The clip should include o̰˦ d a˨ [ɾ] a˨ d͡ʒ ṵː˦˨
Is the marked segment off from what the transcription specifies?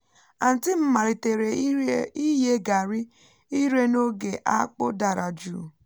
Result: no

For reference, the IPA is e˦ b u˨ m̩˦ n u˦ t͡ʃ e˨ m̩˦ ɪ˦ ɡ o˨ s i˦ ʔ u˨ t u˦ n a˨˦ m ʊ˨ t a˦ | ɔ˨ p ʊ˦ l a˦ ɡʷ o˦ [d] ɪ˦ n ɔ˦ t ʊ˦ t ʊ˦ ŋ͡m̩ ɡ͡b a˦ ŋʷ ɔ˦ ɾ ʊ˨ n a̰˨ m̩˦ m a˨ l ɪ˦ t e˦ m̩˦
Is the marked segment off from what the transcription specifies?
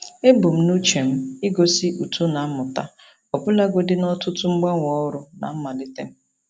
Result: no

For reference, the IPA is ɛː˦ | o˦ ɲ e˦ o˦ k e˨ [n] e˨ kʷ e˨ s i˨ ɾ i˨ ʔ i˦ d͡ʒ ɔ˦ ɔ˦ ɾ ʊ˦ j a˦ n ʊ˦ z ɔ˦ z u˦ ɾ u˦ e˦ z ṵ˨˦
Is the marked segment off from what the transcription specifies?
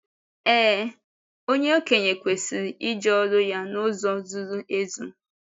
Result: yes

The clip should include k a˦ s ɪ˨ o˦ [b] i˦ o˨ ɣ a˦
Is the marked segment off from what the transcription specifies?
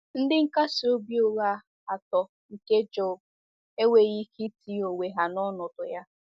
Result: no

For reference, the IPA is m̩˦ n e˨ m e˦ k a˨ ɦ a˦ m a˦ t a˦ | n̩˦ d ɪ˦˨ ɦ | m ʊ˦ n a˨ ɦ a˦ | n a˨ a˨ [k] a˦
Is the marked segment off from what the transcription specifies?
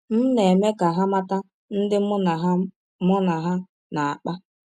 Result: yes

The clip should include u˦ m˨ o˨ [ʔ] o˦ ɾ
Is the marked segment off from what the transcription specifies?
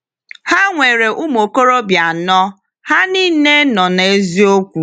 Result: yes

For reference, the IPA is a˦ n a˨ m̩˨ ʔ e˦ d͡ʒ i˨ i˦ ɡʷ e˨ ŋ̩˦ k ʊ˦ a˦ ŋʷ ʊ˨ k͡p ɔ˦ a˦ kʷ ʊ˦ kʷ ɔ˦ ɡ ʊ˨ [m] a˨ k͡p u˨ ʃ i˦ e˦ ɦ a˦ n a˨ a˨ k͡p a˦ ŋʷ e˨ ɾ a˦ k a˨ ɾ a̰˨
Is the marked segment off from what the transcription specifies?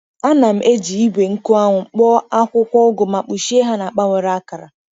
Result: no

